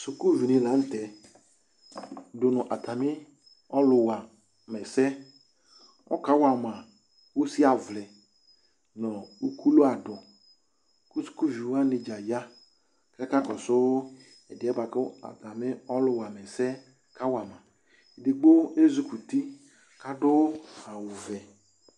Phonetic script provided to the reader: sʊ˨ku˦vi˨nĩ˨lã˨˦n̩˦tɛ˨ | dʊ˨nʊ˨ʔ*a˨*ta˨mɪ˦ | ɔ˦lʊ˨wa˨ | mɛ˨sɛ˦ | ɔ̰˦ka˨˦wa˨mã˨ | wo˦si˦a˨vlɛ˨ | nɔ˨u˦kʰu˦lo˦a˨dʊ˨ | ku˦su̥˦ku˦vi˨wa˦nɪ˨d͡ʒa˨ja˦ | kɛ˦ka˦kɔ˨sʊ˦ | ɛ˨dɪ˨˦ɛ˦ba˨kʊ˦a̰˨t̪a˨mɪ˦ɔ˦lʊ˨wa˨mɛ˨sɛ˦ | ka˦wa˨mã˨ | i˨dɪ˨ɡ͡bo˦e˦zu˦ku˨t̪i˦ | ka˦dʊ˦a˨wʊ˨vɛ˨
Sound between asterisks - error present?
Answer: no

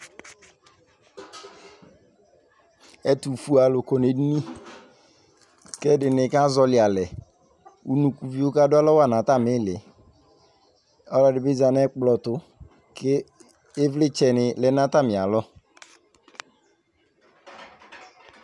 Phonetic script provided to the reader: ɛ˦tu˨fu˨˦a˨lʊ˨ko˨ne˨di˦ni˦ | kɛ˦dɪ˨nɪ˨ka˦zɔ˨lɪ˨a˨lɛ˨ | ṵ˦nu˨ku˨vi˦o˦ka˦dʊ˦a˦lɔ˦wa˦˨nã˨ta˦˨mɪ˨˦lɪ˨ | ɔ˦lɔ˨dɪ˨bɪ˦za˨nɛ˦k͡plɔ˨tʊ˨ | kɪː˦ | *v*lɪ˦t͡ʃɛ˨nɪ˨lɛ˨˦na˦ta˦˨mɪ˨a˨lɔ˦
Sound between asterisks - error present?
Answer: no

